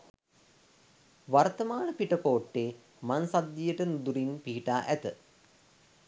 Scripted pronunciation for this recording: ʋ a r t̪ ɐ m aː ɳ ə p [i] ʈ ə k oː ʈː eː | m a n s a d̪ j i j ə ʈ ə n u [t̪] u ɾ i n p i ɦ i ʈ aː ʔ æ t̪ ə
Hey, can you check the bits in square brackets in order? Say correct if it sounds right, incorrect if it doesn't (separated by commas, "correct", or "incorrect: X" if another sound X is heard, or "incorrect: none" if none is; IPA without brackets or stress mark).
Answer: correct, incorrect: d̪